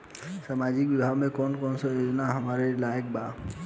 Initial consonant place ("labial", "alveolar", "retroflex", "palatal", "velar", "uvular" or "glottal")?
alveolar